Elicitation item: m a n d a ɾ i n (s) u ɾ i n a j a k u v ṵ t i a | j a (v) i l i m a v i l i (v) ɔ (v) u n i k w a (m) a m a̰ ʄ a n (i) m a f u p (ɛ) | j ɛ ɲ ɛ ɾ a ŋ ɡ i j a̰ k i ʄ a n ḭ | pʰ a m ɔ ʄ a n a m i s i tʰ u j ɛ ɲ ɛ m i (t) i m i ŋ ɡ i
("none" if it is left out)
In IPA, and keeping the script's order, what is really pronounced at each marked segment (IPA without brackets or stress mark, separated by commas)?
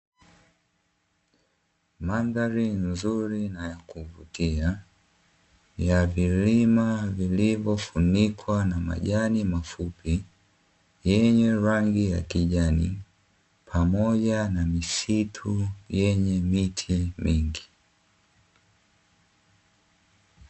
z, v, v, f, n, i, i, tʰ